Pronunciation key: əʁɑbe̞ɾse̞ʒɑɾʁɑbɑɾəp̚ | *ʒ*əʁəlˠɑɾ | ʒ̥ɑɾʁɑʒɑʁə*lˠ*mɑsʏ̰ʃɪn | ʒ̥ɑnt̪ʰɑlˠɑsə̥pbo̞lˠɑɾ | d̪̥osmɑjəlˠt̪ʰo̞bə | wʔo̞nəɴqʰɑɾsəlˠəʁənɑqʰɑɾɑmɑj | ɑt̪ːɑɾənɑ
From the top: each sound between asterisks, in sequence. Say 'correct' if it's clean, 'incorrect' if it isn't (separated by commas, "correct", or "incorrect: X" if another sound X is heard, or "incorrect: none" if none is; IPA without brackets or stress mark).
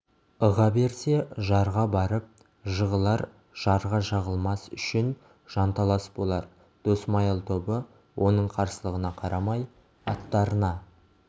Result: correct, correct